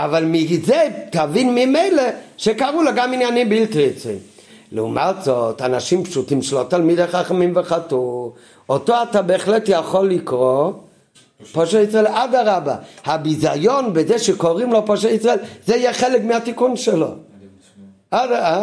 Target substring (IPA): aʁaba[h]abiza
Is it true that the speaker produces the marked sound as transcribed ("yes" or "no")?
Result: yes